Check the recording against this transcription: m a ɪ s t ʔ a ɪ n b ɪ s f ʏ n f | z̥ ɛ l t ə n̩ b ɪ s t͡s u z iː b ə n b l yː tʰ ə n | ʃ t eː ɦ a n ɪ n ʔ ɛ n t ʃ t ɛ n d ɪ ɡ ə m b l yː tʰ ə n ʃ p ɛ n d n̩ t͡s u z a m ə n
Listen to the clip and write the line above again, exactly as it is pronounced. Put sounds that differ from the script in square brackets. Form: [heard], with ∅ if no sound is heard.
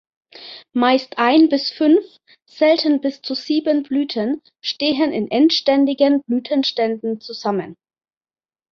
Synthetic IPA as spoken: m a ɪ s t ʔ a ɪ n b ɪ s f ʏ n f | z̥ ɛ l t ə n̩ b ɪ s t͡s u z iː b ə n b l yː tʰ ə n | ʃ t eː ɦ [ə] n ɪ n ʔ ɛ n t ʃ t ɛ n d ɪ ɡ ə [n] b l yː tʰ ə n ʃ [t] ɛ n d n̩ t͡s u z a m ə n